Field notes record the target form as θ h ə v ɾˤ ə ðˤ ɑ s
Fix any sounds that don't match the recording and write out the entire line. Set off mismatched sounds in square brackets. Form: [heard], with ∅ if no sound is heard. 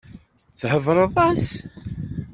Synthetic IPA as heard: θ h ə v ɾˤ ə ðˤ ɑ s